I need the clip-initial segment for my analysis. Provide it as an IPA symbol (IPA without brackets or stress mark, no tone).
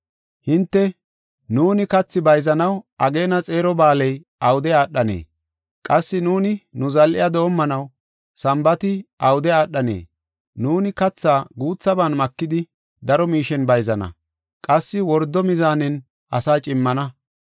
h